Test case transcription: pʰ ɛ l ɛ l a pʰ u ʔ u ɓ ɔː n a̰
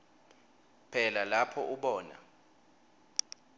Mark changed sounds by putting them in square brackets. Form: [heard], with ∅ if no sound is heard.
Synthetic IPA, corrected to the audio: pʰ ɛ l [a] l a pʰ [ɔ] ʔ u ɓ ɔː n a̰

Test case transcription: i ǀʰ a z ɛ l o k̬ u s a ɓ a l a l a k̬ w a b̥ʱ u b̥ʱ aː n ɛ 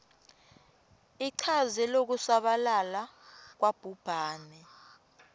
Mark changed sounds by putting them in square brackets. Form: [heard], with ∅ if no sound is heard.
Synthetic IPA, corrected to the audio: i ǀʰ a z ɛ l o k̬ u s a ɓ a l a l a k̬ w a b̥ʱ u b̥ʱ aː n ɛ

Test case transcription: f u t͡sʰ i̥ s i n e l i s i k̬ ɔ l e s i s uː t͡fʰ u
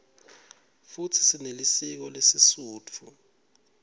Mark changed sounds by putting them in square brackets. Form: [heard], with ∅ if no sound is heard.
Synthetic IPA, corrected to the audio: f u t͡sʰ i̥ s i n e l i s i k̬ ɔ l e s i s uː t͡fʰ u

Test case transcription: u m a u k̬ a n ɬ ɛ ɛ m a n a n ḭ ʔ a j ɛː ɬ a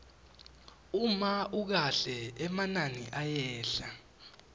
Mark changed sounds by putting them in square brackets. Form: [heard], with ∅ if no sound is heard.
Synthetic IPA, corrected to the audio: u m a u k̬ a [∅] ɬ ɛ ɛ m a n a n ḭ ʔ a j ɛː ɬ a

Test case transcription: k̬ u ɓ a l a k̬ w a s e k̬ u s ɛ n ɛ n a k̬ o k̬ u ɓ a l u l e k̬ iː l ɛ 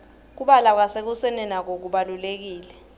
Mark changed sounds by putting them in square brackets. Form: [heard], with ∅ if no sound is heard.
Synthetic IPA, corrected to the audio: k̬ u ɓ a l a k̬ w a s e k̬ u s ɛ n ɛ n a k̬ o k̬ u ɓ a l u l e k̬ iː l ɛ

